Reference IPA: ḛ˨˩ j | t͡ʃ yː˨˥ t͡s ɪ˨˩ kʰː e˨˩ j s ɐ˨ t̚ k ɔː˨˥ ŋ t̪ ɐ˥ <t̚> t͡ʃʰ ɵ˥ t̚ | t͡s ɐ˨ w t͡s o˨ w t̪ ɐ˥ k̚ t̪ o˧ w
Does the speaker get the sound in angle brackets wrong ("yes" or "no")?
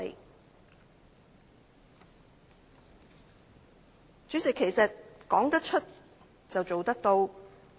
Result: yes